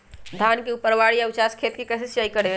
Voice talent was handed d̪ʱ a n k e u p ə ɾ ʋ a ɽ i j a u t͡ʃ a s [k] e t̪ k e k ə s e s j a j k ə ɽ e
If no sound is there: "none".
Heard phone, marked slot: kʰ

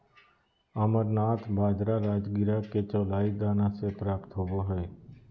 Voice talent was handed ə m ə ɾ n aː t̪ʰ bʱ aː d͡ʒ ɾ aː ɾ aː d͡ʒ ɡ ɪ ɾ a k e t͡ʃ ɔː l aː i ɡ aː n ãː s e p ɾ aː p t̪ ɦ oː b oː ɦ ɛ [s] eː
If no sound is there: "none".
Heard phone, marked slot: none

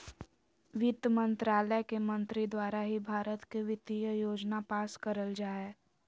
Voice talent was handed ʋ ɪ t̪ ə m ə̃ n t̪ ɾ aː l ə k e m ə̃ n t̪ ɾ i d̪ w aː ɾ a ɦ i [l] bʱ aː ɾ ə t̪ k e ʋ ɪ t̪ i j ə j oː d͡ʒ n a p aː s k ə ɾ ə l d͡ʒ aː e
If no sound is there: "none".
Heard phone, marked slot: none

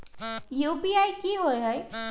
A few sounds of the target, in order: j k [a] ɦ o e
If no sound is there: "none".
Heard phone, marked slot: i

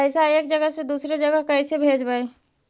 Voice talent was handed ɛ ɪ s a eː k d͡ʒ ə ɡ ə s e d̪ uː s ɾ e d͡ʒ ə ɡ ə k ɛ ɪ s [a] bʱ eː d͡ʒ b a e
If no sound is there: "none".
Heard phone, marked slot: e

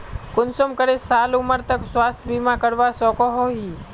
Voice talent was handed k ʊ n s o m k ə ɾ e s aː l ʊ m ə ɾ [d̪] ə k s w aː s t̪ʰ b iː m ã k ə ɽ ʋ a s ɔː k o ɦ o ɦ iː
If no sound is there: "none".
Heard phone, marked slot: t̪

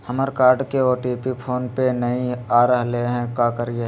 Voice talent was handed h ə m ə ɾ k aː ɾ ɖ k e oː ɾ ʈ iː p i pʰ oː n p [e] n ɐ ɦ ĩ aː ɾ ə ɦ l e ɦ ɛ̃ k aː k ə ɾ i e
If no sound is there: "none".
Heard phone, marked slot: e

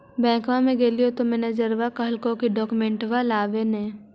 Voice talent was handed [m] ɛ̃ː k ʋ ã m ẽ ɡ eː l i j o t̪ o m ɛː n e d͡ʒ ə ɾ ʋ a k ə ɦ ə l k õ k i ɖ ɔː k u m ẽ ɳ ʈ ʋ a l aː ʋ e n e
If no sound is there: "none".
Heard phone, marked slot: b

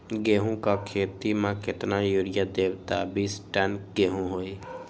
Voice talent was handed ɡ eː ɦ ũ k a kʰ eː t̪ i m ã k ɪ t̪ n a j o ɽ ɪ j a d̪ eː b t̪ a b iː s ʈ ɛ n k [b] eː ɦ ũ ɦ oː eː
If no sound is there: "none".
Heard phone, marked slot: ɡ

